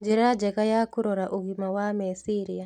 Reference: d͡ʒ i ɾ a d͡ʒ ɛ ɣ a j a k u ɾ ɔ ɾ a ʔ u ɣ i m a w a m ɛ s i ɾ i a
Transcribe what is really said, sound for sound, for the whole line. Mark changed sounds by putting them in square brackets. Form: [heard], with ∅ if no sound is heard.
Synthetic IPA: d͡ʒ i ɾ a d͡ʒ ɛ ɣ a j a k u ɾ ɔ ɾ a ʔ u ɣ i m a w a m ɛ s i ɾ i a